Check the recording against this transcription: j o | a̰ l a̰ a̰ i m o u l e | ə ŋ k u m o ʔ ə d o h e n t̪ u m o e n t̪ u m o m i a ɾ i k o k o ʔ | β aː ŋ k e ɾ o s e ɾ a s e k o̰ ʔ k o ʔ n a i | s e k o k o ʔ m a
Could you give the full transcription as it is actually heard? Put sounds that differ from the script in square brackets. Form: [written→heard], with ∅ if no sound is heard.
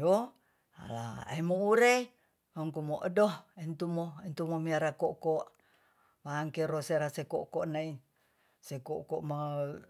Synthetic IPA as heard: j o | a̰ l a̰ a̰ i m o u [l→ɾ] e | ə ŋ k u m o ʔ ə d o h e n t̪ u m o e n t̪ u m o m i a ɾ [i→a] k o k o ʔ | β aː ŋ k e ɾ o s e ɾ a s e k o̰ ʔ k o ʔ n a i | s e k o k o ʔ m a